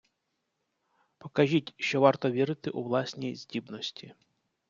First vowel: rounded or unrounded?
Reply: rounded